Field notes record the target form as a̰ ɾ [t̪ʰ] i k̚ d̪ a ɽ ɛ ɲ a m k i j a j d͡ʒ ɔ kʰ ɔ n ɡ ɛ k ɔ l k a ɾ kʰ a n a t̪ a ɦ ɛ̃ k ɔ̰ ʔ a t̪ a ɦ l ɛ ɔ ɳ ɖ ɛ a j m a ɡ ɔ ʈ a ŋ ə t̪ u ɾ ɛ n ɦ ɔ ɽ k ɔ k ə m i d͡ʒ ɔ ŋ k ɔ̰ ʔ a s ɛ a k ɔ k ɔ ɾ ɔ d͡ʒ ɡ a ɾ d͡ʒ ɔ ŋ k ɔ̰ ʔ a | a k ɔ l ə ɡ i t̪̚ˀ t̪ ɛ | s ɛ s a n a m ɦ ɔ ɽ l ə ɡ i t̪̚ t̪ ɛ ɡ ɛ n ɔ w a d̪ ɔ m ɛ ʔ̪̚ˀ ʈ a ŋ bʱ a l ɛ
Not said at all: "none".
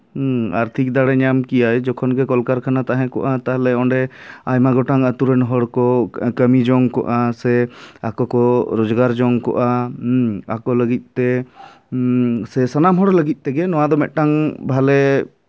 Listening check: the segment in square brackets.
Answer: t̪ʰ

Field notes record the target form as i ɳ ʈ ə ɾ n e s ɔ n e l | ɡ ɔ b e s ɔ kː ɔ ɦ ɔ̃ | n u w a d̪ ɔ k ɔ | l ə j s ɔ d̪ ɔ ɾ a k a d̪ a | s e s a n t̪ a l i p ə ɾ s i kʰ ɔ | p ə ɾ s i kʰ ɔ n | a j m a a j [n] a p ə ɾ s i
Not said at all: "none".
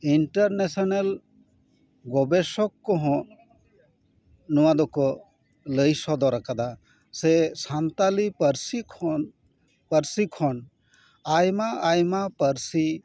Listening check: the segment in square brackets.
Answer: m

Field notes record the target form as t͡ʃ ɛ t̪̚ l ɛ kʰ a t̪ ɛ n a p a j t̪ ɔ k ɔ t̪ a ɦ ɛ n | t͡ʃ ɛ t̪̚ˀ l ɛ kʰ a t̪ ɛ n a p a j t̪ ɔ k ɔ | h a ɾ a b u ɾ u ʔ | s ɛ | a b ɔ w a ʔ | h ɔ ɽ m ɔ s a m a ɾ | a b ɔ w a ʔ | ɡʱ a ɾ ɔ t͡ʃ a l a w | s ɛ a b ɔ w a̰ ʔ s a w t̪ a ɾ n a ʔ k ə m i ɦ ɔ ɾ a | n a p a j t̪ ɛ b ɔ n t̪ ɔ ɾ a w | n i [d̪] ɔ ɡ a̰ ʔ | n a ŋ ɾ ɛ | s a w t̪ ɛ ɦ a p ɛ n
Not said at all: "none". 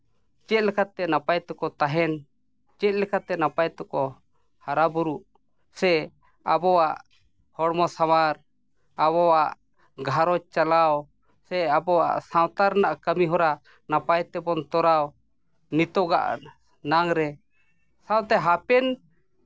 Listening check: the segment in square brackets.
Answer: t̪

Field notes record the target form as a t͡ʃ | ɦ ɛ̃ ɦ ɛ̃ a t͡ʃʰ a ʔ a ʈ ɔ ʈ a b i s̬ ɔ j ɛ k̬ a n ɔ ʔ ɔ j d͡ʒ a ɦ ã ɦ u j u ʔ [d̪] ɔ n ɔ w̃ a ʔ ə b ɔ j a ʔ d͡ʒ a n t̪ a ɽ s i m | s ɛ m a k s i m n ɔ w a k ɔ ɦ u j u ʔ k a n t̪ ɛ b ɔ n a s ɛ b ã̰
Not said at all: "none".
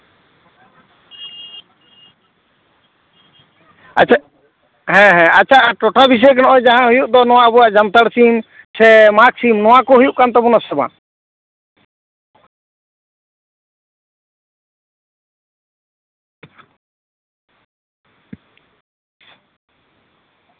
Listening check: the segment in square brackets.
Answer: d̪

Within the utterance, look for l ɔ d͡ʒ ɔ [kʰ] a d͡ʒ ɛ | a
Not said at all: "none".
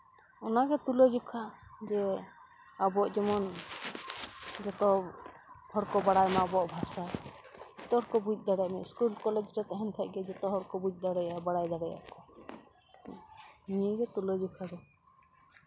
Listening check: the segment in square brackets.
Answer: kʰ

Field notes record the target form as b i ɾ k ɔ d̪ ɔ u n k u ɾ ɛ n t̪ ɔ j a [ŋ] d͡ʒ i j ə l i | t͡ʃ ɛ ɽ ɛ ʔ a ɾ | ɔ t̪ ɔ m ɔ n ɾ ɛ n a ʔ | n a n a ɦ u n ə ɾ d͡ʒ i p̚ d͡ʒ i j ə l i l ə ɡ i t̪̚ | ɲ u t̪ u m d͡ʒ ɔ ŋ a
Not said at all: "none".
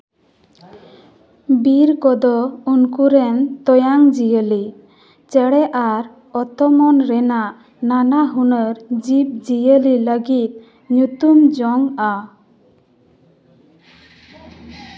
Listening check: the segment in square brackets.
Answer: ŋ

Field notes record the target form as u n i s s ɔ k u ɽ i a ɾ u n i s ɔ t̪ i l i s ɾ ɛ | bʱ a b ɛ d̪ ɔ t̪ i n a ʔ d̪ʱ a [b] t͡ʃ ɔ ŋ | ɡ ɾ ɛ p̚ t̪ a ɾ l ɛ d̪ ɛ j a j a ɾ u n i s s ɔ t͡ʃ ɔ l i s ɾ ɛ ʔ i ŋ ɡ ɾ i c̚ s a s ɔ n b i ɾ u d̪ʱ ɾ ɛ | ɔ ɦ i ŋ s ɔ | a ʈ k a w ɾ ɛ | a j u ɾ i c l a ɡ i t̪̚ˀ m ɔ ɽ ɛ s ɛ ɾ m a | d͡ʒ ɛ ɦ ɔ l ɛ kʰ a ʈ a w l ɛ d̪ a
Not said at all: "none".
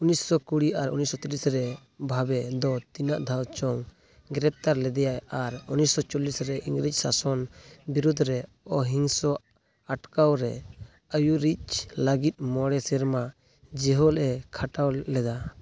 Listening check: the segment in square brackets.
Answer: w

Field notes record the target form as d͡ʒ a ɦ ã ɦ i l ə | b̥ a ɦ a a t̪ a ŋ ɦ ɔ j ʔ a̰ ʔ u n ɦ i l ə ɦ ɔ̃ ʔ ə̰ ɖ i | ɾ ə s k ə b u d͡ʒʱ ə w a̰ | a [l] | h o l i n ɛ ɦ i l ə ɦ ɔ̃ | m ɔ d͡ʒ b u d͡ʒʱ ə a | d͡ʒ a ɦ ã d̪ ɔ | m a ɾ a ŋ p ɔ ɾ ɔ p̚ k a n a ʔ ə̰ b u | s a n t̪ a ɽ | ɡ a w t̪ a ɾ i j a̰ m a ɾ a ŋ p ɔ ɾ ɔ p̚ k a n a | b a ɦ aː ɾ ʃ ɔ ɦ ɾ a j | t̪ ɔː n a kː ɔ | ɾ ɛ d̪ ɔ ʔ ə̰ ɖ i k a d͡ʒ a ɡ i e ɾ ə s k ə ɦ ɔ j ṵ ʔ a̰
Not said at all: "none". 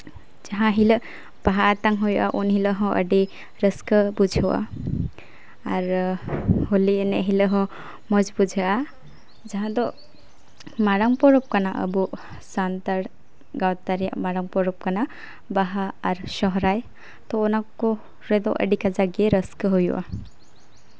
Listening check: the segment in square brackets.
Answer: ɾ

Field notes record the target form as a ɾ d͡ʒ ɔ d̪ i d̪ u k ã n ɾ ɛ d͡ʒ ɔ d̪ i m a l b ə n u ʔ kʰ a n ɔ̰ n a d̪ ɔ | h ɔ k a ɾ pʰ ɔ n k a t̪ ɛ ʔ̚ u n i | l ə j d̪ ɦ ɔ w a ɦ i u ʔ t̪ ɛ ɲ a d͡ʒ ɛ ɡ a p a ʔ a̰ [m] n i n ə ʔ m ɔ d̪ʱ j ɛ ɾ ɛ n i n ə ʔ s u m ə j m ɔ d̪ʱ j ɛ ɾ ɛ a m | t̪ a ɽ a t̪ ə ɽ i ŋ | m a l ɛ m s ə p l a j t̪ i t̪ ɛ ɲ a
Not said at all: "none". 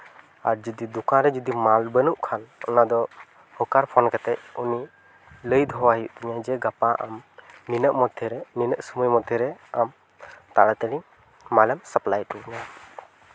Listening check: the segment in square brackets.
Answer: m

